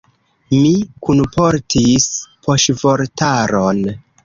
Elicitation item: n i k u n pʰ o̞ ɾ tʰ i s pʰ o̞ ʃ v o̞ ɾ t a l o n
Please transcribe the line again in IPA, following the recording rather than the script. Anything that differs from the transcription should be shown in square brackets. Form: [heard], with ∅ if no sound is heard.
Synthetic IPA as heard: [m] i k u n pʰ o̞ ɾ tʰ i s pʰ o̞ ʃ v o̞ ɾ t a [ɾ] o n